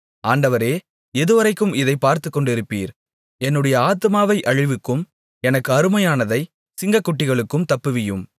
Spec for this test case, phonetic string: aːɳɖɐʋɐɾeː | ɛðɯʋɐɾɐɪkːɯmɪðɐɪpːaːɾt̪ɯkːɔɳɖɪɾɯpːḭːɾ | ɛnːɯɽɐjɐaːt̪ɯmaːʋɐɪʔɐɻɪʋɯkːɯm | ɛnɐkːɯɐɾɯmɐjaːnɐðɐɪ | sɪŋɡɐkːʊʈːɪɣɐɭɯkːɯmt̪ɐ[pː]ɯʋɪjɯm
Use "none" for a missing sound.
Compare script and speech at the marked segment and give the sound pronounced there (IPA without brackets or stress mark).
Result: pː